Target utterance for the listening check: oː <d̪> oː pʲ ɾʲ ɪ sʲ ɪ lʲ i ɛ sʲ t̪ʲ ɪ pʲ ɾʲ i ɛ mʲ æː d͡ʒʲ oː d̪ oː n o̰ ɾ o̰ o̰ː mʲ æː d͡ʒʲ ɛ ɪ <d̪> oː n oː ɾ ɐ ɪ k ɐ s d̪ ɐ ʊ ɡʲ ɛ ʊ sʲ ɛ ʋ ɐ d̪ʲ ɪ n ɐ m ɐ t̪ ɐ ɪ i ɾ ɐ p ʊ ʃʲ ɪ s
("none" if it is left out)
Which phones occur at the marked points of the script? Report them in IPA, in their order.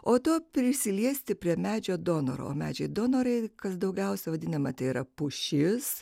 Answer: t̪, d̪

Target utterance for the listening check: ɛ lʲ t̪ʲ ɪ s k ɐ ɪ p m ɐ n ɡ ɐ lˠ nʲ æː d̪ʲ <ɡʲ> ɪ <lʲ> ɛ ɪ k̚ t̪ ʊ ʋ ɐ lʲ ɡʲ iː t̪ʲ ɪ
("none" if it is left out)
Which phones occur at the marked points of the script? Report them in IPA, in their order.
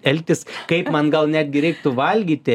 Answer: ɡʲ, ɾʲ

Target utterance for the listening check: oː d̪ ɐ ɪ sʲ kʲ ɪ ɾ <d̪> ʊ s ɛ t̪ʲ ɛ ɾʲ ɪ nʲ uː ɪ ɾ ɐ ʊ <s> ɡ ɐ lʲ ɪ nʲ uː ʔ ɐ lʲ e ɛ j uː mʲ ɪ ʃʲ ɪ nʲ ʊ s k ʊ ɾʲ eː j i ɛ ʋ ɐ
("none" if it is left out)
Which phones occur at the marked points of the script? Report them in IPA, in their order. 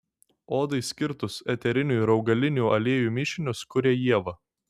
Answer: t̪, none

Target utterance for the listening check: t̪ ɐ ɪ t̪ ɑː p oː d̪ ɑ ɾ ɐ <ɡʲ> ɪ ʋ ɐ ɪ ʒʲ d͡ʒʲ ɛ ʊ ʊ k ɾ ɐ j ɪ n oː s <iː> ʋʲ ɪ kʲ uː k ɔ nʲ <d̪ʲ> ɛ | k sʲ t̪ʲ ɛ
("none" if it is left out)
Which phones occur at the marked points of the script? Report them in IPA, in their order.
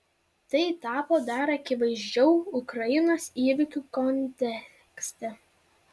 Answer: kʲ, iː, t̪ʲ

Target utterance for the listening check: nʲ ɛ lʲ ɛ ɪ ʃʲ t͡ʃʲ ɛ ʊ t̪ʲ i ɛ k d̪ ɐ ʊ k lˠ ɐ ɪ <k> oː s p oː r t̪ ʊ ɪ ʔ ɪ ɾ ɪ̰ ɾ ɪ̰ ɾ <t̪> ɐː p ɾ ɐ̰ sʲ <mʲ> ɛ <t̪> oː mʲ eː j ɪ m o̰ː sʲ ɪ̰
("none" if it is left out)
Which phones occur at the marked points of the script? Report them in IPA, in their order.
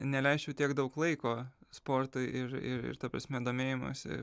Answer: k, t̪, mʲ, d̪

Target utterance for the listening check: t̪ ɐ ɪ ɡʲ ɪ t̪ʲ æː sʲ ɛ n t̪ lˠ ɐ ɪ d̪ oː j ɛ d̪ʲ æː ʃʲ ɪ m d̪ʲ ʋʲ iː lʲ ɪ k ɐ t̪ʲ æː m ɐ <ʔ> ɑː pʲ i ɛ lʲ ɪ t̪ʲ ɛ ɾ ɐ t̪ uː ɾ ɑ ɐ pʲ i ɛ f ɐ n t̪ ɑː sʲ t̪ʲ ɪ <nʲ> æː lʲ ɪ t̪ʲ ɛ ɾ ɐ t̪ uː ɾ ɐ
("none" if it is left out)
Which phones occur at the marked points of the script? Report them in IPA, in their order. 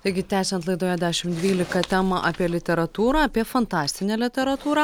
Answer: ʔ, nʲ

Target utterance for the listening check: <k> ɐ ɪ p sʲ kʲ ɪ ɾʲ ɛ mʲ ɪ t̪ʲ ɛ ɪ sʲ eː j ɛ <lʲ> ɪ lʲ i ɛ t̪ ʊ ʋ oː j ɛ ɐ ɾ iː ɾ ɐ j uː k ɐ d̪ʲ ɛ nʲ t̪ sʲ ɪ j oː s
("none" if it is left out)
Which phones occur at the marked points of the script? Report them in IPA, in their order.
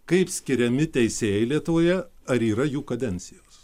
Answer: k, none

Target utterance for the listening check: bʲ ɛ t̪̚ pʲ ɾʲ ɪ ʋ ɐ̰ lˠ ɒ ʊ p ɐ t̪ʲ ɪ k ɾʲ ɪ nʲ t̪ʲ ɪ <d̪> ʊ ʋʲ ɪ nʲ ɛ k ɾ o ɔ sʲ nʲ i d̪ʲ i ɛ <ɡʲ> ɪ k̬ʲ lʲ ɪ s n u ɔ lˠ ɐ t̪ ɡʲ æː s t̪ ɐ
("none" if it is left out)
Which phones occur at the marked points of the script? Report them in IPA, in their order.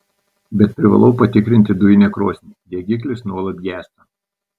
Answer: d̪, ɡʲ

